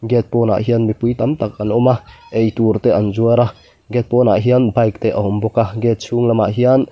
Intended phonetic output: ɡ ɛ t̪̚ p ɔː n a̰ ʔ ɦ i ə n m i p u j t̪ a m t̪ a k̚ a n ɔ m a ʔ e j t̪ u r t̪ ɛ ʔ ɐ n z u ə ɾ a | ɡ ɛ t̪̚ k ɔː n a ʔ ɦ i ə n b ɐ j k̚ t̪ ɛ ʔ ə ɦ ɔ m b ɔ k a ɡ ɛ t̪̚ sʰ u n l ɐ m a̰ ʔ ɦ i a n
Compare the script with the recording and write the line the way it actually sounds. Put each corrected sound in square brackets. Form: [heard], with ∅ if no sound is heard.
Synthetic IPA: ɡ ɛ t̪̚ p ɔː n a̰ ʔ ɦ i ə n m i p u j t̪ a m t̪ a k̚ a n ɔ m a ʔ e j t̪ u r t̪ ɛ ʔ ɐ n z u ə ɾ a | ɡ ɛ t̪̚ [p] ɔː n a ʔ ɦ i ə n b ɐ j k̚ t̪ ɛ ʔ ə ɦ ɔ m b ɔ k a ɡ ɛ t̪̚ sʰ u [ŋ] l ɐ m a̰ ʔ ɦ i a n